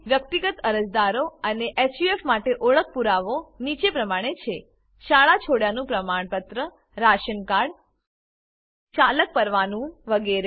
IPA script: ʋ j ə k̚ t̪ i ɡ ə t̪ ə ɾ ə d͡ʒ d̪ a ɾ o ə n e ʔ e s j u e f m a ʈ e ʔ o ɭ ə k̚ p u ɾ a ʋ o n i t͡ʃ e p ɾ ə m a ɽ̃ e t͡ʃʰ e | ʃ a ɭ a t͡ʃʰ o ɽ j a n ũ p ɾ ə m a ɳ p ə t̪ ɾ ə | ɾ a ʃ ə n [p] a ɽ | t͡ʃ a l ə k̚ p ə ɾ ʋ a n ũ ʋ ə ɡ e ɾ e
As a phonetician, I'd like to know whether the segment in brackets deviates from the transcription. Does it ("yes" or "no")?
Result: yes